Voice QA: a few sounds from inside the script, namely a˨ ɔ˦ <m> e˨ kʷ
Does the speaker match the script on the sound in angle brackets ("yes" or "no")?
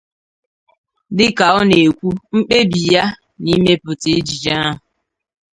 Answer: no